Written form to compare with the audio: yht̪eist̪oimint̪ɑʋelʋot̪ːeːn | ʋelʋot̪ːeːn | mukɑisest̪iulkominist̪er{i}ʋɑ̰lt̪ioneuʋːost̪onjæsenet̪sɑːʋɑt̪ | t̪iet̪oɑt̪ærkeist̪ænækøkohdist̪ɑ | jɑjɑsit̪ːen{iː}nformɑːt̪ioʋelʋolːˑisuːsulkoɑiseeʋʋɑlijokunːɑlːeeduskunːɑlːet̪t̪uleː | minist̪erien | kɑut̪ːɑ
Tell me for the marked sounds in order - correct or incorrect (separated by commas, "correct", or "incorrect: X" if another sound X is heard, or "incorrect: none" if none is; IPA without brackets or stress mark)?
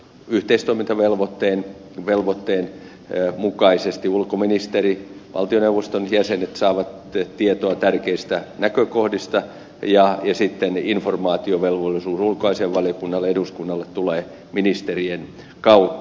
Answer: correct, incorrect: i